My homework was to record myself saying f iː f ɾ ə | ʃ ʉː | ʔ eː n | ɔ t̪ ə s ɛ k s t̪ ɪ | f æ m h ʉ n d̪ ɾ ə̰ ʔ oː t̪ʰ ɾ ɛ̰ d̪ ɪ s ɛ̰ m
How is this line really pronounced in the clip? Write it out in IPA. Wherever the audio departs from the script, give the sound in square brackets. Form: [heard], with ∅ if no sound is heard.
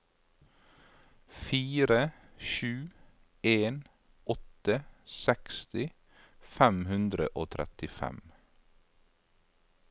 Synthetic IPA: f iː [∅] ɾ ə | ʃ ʉː | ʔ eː n | ɔ t̪ ə s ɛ k s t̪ ɪ | f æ m h ʉ n d̪ ɾ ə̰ ʔ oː t̪ʰ ɾ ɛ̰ [t̪] ɪ [f] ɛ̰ m